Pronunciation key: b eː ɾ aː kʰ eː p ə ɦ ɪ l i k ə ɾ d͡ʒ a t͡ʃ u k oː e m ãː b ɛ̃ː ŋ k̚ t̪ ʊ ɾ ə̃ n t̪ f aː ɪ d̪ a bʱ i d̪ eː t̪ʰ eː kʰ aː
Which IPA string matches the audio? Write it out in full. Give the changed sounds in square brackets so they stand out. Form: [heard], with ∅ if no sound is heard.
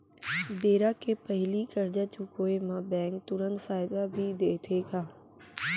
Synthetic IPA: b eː ɾ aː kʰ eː p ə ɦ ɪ l i k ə ɾ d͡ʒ a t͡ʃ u k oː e m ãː b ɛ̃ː ŋ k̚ t̪ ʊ ɾ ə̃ n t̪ f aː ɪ d̪ a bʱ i d̪ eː t̪ʰ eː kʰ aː